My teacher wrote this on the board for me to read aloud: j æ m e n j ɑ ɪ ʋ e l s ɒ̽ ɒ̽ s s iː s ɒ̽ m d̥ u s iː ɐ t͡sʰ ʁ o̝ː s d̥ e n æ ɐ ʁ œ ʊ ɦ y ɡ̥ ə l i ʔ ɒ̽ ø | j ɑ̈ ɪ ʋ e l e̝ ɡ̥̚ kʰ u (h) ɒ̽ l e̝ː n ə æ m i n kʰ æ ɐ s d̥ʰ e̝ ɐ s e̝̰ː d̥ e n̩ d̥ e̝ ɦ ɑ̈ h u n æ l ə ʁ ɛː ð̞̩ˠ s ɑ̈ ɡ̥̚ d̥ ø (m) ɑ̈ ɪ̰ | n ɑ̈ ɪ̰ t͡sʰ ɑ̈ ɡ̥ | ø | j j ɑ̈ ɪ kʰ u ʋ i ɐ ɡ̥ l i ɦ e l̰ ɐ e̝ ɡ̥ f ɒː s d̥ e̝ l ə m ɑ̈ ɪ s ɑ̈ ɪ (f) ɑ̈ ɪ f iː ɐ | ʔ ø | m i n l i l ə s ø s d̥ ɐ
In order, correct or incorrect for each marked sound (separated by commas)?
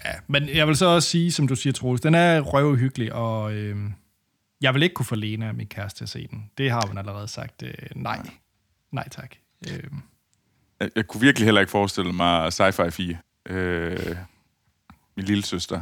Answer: incorrect, incorrect, correct